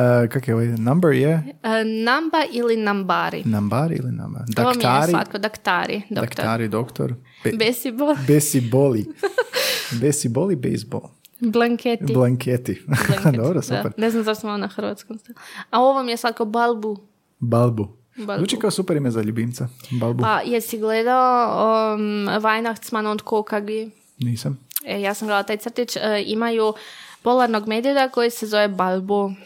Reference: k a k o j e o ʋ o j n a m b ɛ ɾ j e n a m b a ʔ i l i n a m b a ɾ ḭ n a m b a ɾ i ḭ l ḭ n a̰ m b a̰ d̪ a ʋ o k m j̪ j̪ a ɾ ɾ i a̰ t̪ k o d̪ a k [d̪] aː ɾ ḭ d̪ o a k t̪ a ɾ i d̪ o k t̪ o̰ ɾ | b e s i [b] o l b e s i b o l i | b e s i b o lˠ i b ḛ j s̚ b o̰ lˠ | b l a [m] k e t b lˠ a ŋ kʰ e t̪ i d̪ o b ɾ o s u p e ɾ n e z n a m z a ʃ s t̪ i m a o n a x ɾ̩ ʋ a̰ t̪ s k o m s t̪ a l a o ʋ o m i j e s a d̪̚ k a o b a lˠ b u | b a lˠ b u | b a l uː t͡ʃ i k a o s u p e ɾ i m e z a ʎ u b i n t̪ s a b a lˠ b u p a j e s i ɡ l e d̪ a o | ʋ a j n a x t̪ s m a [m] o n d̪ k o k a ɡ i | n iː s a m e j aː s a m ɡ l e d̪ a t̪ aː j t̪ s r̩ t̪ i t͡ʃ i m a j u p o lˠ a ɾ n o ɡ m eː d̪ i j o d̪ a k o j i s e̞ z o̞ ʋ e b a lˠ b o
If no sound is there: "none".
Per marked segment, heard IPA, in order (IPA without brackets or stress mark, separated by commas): t̪, b, ŋ, n